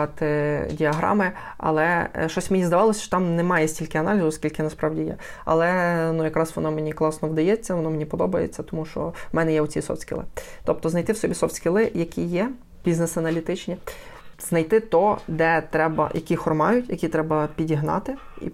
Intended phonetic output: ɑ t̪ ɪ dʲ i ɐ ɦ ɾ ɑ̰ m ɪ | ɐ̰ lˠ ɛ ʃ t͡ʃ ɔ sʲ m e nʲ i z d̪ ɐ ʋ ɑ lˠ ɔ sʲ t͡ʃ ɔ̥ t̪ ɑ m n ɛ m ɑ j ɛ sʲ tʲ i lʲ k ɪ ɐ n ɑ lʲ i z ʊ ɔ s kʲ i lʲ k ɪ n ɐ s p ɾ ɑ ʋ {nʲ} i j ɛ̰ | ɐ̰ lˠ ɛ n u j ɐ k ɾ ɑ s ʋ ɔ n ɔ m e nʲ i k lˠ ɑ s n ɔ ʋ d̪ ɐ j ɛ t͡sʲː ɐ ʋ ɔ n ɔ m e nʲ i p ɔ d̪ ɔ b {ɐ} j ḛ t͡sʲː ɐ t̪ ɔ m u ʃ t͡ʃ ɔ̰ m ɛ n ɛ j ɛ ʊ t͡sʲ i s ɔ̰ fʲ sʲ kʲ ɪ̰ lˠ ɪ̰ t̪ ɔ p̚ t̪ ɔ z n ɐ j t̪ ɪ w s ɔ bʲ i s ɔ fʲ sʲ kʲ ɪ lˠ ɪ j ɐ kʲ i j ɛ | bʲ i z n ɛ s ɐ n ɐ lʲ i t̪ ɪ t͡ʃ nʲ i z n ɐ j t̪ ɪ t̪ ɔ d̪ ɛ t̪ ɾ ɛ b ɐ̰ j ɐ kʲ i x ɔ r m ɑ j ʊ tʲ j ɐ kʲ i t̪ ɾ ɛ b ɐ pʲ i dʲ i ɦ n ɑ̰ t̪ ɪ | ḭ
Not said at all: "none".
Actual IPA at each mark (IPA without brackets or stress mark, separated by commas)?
dʲ, ɐ